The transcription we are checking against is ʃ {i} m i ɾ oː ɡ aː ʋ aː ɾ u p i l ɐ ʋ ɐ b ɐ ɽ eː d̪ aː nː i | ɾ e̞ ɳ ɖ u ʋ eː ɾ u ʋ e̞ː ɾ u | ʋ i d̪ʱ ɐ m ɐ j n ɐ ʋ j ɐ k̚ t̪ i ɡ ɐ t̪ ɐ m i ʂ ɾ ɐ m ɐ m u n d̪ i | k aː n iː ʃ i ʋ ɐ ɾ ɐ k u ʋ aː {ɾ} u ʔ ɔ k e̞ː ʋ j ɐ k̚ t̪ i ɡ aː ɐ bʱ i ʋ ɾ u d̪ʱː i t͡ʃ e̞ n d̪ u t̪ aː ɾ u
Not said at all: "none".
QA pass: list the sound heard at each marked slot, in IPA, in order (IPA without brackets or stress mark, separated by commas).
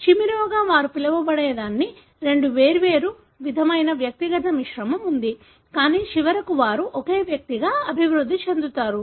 i, ɾ